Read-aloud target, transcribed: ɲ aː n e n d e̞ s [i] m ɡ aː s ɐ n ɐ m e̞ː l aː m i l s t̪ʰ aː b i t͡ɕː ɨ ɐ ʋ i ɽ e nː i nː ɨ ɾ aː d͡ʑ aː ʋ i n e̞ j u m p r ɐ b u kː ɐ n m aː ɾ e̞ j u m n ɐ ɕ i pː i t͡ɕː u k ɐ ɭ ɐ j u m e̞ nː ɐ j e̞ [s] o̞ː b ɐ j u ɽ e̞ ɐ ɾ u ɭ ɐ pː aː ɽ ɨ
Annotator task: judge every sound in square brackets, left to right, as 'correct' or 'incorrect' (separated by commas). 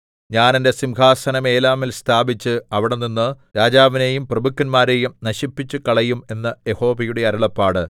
correct, incorrect